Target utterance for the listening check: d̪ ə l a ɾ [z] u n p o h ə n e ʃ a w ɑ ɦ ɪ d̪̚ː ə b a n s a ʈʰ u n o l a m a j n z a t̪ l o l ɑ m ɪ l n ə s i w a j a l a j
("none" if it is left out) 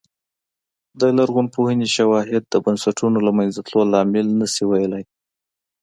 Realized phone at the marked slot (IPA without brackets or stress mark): ɣ